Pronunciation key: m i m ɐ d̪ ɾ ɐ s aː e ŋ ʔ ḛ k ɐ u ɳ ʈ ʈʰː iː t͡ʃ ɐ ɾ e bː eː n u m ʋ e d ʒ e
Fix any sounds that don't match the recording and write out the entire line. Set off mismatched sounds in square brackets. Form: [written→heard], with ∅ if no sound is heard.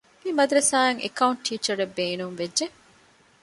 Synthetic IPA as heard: m i m ɐ d̪ ɾ ɐ s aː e ŋ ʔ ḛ k ɐ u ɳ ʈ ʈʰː iː t͡ʃ ɐ ɾ e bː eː n u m ʋ e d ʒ e